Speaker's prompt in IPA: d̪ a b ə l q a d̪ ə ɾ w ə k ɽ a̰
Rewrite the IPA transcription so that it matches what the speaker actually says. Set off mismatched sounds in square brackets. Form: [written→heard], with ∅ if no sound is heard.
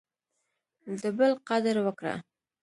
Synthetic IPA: d̪ [a→ə] b ə l q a d̪ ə ɾ w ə k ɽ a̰